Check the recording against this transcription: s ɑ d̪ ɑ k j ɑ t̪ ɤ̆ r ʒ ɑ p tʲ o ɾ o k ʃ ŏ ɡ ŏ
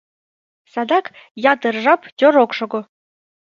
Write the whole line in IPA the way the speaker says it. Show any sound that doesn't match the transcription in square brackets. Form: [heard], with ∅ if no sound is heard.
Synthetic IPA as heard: s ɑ d̪ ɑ k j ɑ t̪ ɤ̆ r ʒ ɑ p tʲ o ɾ o k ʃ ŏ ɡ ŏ